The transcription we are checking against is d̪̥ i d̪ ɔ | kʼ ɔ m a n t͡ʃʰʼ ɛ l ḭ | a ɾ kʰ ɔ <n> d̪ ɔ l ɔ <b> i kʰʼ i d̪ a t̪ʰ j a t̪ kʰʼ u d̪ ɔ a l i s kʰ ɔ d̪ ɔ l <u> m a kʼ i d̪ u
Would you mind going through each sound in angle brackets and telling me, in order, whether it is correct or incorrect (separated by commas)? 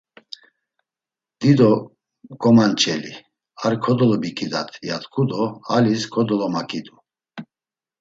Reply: incorrect, correct, incorrect